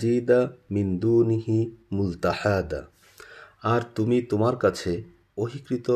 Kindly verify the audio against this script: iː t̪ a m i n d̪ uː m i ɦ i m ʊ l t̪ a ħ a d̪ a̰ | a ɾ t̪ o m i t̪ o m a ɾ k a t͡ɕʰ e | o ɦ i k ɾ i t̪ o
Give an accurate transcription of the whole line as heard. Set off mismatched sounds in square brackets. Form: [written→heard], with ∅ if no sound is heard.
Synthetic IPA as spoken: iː [t̪→d̪] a m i n d̪ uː [m→n] i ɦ i m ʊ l t̪ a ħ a d̪ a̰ | a ɾ t̪ [o→u] m i t̪ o m a ɾ k a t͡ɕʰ e | o ɦ i k ɾ i t̪ o